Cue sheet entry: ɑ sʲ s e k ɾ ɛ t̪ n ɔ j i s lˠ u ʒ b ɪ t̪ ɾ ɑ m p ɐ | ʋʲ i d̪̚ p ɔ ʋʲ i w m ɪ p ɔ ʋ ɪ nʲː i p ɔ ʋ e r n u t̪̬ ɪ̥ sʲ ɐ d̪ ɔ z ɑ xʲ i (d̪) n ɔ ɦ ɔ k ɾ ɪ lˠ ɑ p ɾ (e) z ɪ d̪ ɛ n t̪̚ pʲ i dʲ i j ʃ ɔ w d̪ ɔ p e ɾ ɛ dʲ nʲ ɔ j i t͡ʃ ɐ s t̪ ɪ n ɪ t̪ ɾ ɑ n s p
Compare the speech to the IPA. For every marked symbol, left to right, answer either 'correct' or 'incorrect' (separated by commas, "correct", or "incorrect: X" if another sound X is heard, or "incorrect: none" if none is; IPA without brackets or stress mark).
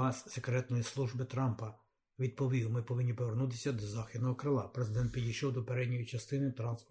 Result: correct, correct